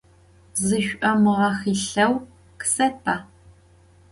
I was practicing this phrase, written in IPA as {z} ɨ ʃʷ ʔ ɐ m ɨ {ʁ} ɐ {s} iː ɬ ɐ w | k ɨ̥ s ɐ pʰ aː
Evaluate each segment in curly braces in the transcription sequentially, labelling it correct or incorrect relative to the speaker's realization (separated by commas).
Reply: correct, correct, incorrect